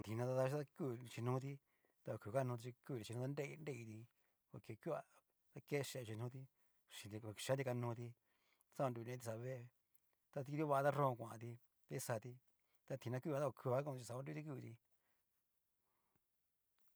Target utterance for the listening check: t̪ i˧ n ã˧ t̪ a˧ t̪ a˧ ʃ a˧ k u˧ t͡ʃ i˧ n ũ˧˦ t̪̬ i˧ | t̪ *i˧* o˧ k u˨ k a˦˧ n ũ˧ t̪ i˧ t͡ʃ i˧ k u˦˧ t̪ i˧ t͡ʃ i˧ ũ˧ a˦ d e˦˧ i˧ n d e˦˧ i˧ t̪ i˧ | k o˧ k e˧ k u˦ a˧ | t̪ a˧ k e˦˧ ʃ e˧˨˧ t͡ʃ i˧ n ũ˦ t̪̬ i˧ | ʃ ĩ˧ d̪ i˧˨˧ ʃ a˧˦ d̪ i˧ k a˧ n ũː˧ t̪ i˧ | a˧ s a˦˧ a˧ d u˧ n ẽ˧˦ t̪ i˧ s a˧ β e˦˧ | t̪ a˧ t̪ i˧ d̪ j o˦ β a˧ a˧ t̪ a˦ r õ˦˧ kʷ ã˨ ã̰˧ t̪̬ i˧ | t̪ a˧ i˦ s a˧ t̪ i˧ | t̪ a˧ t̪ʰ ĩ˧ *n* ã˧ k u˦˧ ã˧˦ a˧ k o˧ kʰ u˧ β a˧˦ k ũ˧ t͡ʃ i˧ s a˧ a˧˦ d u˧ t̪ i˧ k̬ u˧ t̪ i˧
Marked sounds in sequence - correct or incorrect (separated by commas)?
incorrect, correct